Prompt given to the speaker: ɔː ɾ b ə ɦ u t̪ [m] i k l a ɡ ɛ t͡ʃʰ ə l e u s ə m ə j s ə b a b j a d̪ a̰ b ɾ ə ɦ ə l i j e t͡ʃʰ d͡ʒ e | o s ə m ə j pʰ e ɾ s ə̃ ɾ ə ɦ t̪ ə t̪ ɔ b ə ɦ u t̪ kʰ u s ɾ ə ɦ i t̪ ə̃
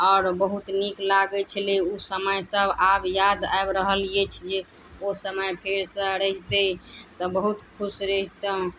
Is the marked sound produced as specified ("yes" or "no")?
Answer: no